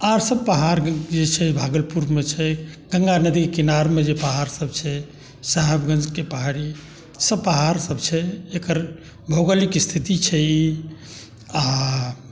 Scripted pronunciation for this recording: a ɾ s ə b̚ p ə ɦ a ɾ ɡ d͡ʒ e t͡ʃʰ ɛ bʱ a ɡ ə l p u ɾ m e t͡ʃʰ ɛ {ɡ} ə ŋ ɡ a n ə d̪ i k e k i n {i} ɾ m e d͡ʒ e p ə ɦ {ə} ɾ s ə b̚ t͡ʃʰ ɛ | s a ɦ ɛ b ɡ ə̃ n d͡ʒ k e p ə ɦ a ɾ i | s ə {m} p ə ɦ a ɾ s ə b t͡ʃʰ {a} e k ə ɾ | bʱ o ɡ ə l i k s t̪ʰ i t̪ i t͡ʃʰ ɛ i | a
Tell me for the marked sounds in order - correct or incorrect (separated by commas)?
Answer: correct, incorrect, incorrect, incorrect, incorrect